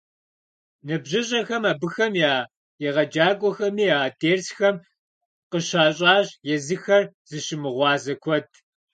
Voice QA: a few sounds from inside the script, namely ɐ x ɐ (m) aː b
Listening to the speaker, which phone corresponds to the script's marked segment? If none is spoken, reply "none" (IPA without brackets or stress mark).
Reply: m